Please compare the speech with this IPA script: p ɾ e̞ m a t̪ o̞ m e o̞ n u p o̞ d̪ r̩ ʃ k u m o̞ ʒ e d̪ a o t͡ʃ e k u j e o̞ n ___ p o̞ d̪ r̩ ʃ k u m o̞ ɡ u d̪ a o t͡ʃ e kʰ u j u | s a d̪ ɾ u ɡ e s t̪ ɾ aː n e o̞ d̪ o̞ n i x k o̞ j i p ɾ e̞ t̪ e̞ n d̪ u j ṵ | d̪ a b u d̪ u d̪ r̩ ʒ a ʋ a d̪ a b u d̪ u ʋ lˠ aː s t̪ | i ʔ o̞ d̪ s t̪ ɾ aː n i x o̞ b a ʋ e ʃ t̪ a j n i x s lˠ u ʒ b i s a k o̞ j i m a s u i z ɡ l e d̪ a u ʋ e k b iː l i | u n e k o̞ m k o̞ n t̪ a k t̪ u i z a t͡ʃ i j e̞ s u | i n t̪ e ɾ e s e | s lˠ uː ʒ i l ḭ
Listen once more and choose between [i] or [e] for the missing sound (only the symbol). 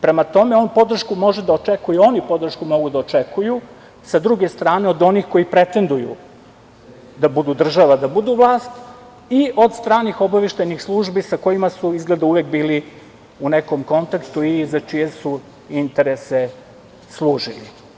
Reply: i